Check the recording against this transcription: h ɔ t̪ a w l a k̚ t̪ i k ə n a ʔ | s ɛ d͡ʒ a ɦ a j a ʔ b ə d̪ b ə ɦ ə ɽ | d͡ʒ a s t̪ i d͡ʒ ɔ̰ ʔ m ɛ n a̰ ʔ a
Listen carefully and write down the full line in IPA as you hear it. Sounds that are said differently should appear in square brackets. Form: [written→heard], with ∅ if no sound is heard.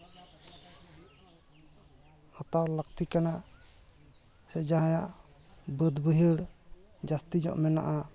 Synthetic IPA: h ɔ t̪ a w l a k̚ t̪ i k [ə→a] n a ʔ | s ɛ d͡ʒ a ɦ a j a ʔ b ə d̪ b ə ɦ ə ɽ | d͡ʒ a s t̪ i d͡ʒ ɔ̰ ʔ m ɛ n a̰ ʔ a